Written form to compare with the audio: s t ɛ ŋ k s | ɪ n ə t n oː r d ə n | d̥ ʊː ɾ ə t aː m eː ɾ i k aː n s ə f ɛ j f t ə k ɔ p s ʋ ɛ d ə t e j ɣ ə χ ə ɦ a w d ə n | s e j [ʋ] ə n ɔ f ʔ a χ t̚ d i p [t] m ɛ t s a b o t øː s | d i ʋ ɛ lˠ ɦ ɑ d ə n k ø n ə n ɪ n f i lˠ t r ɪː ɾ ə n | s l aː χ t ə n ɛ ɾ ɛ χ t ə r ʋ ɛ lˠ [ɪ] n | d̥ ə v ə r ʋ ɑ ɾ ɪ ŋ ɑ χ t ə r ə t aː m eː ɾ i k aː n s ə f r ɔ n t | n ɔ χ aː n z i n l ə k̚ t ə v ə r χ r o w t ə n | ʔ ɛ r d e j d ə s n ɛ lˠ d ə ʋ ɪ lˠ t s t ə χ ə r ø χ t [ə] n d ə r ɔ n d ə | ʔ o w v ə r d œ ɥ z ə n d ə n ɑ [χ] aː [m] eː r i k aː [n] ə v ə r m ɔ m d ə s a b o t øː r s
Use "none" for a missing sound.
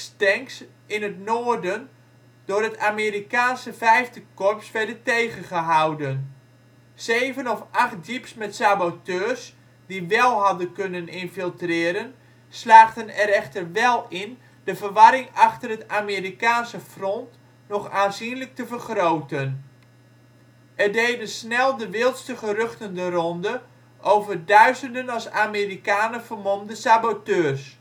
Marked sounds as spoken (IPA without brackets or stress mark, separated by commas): v, s, ɪ, ə, s, m, n